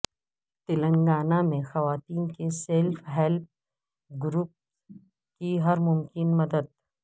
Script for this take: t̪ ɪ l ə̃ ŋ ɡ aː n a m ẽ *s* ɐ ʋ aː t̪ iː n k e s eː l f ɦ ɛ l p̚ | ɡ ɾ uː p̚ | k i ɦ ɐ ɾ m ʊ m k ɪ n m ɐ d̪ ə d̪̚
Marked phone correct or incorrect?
incorrect